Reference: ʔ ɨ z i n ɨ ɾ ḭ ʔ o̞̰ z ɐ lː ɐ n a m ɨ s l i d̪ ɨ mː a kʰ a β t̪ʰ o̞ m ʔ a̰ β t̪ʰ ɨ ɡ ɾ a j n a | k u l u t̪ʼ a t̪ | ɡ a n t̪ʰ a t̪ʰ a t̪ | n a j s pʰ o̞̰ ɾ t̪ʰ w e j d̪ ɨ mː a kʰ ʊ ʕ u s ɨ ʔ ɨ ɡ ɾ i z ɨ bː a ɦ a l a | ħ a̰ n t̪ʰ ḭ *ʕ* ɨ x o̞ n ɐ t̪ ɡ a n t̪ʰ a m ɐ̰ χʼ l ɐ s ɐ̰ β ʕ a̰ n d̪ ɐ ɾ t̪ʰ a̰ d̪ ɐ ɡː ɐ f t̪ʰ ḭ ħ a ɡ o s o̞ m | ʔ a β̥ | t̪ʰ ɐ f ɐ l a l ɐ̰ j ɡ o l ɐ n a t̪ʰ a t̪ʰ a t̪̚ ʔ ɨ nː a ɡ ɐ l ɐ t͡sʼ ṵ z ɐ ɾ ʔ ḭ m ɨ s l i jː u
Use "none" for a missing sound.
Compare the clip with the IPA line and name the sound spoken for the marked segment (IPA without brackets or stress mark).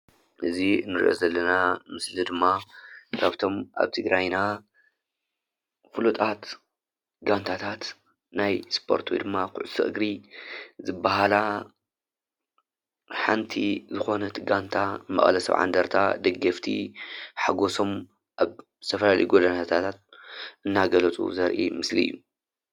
z